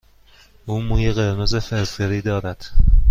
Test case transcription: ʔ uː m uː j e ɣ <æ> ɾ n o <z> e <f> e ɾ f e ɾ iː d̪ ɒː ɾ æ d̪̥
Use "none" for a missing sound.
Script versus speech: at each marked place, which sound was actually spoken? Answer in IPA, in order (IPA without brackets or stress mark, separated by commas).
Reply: e, z, f